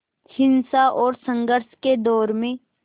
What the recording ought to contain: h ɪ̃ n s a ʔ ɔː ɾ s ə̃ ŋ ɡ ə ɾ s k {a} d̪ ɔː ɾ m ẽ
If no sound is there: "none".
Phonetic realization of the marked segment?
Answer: e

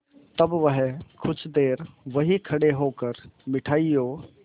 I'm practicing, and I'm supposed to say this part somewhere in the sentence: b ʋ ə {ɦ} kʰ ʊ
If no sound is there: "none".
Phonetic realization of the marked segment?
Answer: ɦ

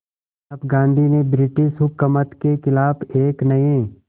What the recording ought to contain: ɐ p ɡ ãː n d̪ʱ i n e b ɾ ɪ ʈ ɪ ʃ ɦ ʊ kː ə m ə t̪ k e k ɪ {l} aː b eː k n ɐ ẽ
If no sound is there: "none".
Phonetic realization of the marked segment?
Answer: l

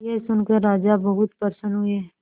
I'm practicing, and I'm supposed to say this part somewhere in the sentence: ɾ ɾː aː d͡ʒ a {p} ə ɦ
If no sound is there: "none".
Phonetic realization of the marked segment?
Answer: b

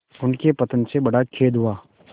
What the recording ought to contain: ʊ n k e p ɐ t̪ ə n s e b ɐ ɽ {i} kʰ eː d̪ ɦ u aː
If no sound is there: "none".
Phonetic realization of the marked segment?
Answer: a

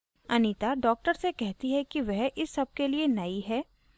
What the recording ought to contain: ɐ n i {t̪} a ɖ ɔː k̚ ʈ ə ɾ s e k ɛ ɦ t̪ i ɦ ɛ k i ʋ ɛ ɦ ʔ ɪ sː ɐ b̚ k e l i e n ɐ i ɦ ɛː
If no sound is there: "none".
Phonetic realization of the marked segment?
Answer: t̪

